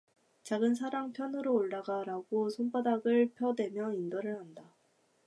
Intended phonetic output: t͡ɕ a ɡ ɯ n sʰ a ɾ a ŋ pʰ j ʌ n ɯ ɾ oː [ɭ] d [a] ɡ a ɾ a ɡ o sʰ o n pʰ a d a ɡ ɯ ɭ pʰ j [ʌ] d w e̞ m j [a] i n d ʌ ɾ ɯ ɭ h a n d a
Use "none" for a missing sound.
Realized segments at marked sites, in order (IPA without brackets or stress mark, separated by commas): ɭ, a, ʌ, ʌ